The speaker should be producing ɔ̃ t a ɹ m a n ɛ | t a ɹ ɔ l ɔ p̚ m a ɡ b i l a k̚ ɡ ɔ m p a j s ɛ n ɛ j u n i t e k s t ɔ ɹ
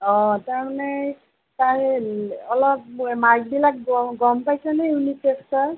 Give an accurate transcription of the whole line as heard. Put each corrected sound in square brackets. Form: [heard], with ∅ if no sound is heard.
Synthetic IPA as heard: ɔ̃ t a ɹ m a n ɛ | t a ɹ ɔ l ɔ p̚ m a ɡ b i l a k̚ ɡ ɔ m p a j s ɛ n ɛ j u n i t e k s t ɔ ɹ